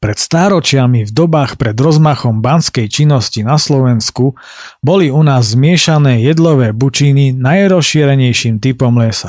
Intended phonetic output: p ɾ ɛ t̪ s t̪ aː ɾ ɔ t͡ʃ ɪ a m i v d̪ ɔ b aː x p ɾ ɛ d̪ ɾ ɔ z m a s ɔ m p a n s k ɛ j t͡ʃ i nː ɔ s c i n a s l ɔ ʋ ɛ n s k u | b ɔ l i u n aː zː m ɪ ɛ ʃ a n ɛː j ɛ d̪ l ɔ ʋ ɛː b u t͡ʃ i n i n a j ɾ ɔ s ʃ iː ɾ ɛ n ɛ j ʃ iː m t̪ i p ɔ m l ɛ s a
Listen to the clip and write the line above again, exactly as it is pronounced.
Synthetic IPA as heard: p ɾ ɛ t̪ s t̪ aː ɾ ɔ t͡ʃ ɪ a m i v d̪ ɔ b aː x p ɾ ɛ d̪ ɾ ɔ z m a x ɔ m b a n s k ɛ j t͡ʃ i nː ɔ s c i n a s l ɔ ʋ ɛ n s k u | b ɔ l i u n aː zː m ɪ ɛ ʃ a n ɛː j ɛ d̪ l ɔ ʋ ɛː b u t͡ʃ i n i n a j ɾ ɔ s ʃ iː ɾ ɛ ɲ ɛ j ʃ iː m t̪ i p ɔ m l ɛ s a